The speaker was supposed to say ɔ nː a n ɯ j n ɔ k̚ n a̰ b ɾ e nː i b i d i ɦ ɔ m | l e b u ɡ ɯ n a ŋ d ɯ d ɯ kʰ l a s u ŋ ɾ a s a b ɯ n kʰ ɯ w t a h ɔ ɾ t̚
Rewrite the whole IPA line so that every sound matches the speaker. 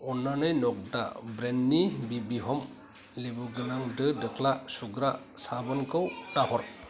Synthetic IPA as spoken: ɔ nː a n ɯ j n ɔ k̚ d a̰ b ɾ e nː i b i b i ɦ ɔ m | l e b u ɡ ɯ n a ŋ d ɯ d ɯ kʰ l a s u ɡ ɾ a s a b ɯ n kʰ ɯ w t a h ɔ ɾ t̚